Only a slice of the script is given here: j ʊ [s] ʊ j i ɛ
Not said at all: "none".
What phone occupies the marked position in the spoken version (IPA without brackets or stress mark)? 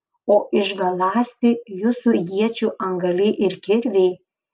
s